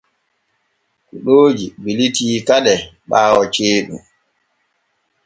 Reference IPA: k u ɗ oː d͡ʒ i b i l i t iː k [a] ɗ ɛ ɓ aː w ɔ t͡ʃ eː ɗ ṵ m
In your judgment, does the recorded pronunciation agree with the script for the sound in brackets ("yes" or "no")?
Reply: yes